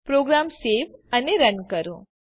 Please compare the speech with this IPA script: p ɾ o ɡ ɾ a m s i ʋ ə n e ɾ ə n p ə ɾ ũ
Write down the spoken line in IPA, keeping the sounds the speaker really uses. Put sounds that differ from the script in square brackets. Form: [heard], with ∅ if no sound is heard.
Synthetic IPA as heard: p ɾ o ɡ ɾ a m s [e] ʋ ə n e ɾ ə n [k] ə ɾ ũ